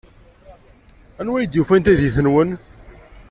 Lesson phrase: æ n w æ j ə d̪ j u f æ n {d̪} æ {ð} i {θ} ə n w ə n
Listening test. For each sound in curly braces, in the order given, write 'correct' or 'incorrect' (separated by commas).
incorrect, correct, correct